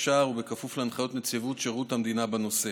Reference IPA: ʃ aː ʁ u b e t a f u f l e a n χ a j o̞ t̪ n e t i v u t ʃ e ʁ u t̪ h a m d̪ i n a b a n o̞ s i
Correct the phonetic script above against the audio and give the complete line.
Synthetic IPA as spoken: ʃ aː ʁ u b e k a f u f l e a n χ a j o̞ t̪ n e t͡s i v u t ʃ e ʁ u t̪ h a m d̪ i n a b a n o̞ s e